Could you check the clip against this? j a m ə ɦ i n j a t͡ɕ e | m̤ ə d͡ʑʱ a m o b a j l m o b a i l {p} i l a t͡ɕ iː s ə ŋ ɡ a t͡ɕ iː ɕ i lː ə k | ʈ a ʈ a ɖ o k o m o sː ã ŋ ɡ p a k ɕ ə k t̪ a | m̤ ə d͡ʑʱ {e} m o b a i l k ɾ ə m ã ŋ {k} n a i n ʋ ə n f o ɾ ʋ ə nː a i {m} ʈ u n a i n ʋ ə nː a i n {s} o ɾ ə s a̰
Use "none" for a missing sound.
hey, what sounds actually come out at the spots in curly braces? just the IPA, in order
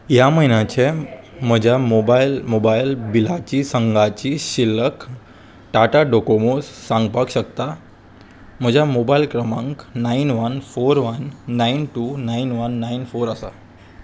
b, a, k, n, f

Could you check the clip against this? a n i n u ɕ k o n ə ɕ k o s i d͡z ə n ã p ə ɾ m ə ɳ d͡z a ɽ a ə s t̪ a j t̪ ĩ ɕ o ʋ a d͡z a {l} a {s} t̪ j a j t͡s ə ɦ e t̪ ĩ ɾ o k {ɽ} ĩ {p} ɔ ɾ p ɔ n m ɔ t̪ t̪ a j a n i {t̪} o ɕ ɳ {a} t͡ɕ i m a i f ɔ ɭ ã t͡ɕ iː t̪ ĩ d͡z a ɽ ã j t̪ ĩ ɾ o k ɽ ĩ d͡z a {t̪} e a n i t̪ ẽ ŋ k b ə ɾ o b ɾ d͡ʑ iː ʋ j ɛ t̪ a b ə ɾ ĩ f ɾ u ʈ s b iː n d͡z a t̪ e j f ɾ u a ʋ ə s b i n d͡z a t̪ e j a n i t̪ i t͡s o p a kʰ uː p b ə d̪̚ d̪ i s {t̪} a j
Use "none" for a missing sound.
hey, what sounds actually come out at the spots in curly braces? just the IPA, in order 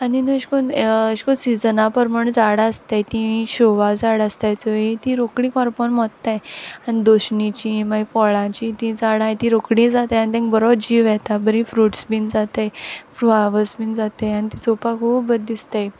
ɽ, s, ɽ, k, d̪, i, t̪, t̪

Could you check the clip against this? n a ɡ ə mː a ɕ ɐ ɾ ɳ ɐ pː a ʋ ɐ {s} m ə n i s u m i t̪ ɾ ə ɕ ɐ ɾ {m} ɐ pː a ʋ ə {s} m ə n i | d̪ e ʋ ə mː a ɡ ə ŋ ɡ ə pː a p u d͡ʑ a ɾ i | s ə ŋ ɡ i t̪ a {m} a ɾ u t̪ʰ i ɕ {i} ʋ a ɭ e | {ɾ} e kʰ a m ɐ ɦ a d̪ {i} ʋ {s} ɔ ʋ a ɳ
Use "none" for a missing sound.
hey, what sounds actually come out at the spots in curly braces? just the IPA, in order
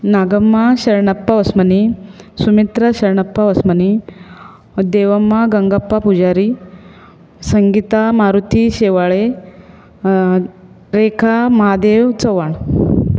s, ɳ, s, m, e, ɾ, e, t͡s

